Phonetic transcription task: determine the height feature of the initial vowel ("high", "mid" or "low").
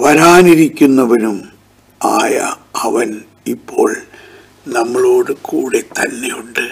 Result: low